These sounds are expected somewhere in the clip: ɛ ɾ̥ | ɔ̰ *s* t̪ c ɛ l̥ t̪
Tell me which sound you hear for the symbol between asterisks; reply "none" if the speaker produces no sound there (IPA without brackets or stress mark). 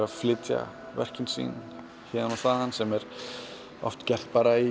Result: f